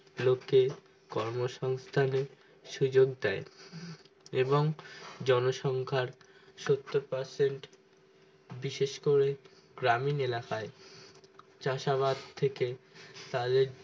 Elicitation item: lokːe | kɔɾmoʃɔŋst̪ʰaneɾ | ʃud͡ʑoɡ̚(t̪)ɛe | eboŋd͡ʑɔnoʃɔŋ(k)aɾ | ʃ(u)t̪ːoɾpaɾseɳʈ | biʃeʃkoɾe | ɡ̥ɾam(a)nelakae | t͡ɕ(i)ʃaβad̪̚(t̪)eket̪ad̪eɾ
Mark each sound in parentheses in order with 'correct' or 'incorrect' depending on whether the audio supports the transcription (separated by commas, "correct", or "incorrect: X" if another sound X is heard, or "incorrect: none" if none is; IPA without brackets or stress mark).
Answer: incorrect: d̪, incorrect: kʰ, incorrect: o, incorrect: i, incorrect: a, incorrect: t̪ʰ